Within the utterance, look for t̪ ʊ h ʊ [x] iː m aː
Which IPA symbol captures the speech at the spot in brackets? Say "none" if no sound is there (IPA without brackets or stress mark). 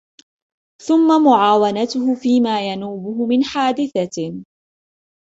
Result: f